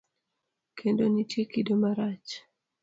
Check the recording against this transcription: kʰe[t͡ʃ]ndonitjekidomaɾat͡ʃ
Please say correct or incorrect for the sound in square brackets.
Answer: incorrect